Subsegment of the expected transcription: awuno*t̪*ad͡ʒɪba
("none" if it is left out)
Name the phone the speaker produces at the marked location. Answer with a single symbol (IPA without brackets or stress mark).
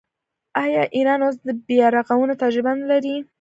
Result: t̪